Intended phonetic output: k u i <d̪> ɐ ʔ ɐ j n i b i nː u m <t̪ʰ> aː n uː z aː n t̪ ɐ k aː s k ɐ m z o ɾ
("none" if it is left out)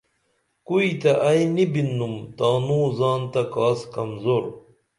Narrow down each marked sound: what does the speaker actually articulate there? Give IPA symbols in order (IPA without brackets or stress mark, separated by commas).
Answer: t̪, t̪